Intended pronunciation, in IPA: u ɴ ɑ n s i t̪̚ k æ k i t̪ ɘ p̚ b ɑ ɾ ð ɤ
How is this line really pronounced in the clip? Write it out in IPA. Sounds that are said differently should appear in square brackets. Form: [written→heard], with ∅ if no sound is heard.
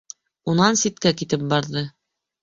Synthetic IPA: u [ɴ→n] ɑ n s i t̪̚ k æ k i t̪ ɘ p̚ b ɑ ɾ ð ɤ

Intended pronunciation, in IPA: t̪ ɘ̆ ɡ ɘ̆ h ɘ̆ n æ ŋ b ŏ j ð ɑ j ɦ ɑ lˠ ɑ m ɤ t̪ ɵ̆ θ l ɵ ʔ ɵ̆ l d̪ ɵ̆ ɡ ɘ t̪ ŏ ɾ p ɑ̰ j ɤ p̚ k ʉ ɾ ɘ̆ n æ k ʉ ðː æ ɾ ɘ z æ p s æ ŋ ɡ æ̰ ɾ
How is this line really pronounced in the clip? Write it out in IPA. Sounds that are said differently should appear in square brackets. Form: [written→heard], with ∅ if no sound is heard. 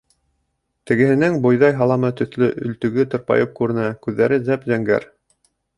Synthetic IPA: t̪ ɘ̆ ɡ ɘ̆ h ɘ̆ n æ ŋ b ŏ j ð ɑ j ɦ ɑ lˠ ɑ m ɤ t̪ ɵ̆ θ l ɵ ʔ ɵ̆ l [d̪→t̪] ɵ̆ ɡ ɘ t̪ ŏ ɾ p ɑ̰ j ɤ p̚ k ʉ ɾ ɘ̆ n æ k ʉ ðː æ ɾ ɘ z æ p [s→z] æ ŋ ɡ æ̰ ɾ

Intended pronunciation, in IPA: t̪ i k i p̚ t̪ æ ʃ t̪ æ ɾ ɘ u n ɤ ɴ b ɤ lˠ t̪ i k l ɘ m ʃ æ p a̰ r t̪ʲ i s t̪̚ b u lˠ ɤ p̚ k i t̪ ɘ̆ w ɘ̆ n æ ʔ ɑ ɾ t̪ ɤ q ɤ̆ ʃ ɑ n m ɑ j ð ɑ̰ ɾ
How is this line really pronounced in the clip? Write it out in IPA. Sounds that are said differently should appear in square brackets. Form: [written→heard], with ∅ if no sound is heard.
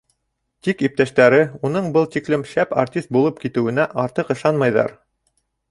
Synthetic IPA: t̪ i k i p̚ t̪ æ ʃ t̪ æ ɾ ɘ u n ɤ ɴ b ɤ lˠ t̪ i k l ɘ m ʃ æ p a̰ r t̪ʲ i s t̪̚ b u lˠ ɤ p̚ k i t̪ ɘ̆ w ɘ̆ n æ ʔ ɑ ɾ t̪ ɤ q ɤ̆ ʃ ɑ n m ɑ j ð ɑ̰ ɾ

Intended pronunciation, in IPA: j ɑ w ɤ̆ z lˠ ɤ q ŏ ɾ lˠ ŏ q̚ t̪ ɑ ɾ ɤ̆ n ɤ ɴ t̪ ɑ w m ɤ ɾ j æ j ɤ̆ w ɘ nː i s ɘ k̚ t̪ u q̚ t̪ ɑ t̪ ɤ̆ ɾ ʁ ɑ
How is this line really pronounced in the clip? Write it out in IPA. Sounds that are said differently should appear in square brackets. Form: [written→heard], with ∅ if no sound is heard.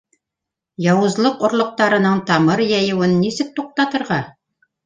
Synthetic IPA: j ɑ w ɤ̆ z lˠ ɤ q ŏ ɾ lˠ ŏ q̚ t̪ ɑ ɾ ɤ̆ n ɤ ɴ t̪ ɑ [w→∅] m ɤ ɾ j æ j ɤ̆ w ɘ nː i s ɘ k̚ t̪ u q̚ t̪ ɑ t̪ ɤ̆ ɾ ʁ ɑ

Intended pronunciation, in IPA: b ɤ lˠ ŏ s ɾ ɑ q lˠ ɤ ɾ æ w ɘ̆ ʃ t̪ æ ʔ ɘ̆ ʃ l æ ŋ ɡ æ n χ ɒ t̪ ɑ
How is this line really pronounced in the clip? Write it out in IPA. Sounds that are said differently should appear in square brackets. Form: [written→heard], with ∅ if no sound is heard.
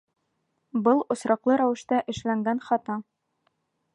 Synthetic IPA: b ɤ lˠ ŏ s ɾ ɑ q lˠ ɤ ɾ æ w ɘ̆ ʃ t̪ æ ʔ ɘ̆ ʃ l æ ŋ ɡ æ n χ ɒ t̪ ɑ

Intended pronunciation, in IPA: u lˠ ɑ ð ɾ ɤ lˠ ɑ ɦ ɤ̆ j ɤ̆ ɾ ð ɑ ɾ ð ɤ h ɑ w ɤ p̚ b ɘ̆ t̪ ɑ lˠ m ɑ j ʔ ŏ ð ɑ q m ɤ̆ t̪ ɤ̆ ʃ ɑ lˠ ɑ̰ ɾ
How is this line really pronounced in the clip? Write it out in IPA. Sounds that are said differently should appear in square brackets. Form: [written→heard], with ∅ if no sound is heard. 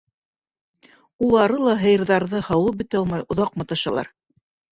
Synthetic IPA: u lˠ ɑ [ð→∅] ɾ ɤ lˠ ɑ ɦ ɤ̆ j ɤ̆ ɾ ð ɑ ɾ ð ɤ h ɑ w ɤ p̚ b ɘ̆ t̪ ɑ lˠ m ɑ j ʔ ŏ ð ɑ q m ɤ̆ t̪ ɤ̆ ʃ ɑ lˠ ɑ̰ ɾ

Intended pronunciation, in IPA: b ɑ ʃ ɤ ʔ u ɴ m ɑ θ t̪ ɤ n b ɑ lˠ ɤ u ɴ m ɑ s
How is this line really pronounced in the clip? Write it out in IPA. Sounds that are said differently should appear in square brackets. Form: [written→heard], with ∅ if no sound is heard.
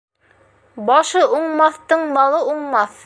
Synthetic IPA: b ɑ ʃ ɤ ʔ u ɴ m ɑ θ t̪ ɤ [n→ɴ] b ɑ lˠ ɤ u ɴ m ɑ [s→θ]

